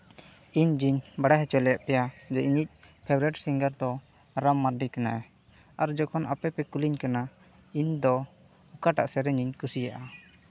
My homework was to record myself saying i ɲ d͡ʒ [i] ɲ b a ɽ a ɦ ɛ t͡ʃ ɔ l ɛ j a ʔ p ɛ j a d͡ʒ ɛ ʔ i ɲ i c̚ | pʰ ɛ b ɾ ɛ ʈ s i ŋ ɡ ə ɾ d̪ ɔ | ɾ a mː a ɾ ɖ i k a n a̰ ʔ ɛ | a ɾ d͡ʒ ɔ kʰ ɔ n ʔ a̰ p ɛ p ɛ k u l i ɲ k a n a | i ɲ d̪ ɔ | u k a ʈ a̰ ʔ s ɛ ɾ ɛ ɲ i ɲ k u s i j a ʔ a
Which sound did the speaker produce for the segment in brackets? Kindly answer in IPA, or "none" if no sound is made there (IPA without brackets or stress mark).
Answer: i